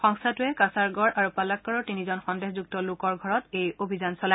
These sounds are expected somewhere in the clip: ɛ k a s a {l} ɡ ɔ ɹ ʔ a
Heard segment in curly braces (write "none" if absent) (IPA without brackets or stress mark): ɹ